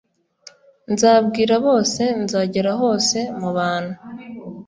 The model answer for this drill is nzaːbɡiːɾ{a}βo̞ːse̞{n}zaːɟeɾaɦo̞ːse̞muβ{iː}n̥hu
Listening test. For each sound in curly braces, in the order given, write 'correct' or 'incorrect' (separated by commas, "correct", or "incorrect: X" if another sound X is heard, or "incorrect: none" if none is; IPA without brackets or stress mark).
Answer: correct, correct, incorrect: aː